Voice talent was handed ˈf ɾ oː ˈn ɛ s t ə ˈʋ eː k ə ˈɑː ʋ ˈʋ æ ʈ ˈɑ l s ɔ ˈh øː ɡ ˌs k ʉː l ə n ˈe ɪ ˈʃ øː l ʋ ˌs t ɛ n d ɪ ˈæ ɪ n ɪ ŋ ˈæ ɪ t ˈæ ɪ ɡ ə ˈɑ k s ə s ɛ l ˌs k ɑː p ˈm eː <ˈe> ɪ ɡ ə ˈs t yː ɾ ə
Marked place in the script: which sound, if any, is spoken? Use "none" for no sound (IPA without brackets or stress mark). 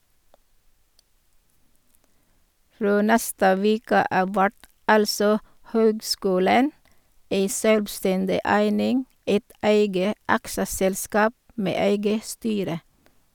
æ